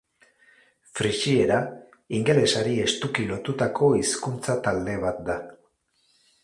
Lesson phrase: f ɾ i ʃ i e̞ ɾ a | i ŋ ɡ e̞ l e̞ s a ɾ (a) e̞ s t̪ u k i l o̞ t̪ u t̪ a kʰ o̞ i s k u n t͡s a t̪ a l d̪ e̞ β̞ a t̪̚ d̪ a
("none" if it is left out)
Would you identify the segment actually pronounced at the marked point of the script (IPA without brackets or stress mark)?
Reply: i